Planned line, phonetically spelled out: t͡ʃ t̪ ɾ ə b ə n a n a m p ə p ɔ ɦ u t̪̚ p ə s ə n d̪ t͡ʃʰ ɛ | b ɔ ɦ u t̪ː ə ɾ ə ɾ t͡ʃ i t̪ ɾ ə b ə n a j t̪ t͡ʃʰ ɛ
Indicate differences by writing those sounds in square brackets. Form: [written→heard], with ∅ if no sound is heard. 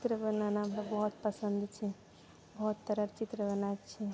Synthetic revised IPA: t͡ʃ t̪ ɾ ə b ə n a n a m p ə [p→b] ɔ ɦ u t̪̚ p ə s ə n d̪ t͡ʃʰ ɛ | b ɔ ɦ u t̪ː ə ɾ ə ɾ t͡ʃ i t̪ ɾ ə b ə n a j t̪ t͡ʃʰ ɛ